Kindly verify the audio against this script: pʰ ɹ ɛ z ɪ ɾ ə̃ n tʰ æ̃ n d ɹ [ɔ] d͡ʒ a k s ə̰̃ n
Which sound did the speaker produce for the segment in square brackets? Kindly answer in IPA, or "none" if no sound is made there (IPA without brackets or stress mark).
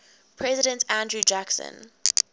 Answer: u